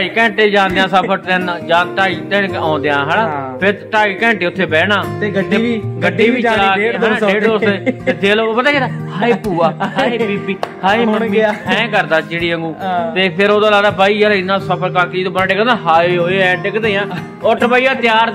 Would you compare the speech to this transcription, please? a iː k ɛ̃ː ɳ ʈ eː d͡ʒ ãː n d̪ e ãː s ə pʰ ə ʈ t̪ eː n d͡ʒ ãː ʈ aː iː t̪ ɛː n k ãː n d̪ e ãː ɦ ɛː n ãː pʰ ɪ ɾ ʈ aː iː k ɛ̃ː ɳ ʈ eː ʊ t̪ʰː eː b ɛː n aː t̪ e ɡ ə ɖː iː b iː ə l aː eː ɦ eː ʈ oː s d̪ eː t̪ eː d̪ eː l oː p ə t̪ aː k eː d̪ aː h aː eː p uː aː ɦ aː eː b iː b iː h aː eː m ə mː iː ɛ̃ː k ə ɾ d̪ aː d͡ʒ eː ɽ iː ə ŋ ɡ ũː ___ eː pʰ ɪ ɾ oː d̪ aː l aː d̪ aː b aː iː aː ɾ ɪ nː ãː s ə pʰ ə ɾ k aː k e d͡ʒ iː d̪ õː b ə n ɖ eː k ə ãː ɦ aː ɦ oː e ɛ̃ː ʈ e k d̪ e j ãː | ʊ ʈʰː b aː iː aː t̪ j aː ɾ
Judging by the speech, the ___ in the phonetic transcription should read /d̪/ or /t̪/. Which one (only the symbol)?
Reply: t̪